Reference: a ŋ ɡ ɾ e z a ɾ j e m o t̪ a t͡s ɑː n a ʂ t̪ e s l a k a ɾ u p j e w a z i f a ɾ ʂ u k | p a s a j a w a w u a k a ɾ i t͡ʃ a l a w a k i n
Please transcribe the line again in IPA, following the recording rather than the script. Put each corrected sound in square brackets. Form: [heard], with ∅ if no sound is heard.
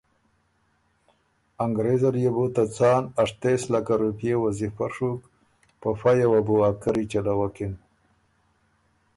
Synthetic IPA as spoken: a ŋ ɡ ɾ e z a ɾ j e [b] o t̪ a t͡s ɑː n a ʂ t̪ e s l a k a ɾ u p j e w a z i f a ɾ ʂ u k | p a [f] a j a w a [b] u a k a ɾ i t͡ʃ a l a w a k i n

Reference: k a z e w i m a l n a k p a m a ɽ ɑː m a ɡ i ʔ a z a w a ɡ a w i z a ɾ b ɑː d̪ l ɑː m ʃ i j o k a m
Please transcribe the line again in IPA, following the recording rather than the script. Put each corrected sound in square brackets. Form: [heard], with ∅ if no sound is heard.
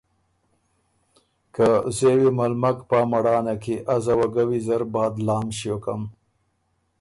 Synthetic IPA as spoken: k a z e w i m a l [m] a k p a m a ɽ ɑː [n] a [k] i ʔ a z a w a ɡ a w i z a ɾ b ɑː d̪ l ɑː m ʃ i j o k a m

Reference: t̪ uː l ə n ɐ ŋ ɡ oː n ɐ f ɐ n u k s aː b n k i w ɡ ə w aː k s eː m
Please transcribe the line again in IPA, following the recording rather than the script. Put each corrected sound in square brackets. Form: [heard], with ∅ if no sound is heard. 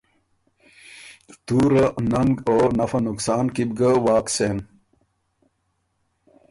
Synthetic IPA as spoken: t̪ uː [ɾ] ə n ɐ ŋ ɡ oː n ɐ f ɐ n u k s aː [∅] n k i [b] ɡ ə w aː k s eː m

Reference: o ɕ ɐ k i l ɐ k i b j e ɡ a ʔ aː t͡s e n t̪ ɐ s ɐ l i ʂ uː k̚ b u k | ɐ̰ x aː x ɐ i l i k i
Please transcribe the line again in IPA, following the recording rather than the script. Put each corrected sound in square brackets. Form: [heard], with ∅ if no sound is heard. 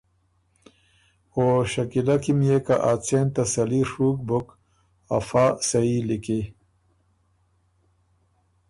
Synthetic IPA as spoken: o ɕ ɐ k i l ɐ k i [m] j e [k] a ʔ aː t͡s e n t̪ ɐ s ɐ l i ʂ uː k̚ b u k | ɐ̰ [f] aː [s] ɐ i l i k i

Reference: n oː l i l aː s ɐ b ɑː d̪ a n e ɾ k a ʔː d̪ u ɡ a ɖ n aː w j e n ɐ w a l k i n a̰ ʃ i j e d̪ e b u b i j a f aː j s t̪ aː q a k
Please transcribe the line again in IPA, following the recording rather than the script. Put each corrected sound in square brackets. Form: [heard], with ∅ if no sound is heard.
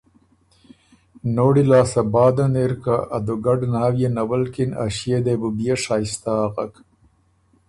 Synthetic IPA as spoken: n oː [ɽ] i l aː s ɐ b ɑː d̪ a n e ɾ k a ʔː d̪ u ɡ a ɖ n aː w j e n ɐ w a l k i n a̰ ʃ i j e d̪ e b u b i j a [ʂ] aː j s t̪ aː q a k

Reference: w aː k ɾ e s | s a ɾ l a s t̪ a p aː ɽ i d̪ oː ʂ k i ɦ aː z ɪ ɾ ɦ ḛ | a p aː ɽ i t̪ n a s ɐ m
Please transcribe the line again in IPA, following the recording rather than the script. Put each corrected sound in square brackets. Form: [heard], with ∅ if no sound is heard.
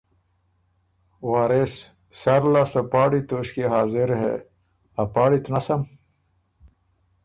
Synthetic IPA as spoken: w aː [∅] ɾ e s | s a ɾ l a s t̪ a p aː ɽ i [t̪] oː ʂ k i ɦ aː z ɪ ɾ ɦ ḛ | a p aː ɽ i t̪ n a s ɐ m

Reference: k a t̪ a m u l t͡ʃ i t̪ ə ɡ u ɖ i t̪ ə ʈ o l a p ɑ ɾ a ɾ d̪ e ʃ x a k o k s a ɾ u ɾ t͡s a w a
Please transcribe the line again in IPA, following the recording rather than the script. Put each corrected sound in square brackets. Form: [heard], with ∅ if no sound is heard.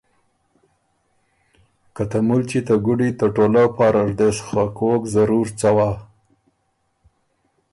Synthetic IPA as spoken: k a t̪ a m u l t͡ʃ i t̪ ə ɡ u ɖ i t̪ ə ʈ o l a p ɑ ɾ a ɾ d̪ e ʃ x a k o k [z] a ɾ u ɾ t͡s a w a

